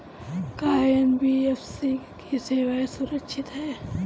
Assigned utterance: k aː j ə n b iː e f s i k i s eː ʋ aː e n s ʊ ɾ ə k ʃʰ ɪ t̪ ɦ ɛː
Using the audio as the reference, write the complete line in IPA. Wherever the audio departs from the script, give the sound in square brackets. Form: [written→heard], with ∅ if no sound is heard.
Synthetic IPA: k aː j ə n b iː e f s i k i s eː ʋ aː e [n→∅] s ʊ ɾ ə k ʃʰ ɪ t̪ ɦ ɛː